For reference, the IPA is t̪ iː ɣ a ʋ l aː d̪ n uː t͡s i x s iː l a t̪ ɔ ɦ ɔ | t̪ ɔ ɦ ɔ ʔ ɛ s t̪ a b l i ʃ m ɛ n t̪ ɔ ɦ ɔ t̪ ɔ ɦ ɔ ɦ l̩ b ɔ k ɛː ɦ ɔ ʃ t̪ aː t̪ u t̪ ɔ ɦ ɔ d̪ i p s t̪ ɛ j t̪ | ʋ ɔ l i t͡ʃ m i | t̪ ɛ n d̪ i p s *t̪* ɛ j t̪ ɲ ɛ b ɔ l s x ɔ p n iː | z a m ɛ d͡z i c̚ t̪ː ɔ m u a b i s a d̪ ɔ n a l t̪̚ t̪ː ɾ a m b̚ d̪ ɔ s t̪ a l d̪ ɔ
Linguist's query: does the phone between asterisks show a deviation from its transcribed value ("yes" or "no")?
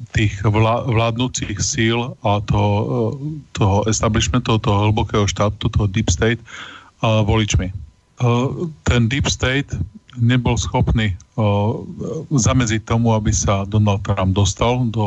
no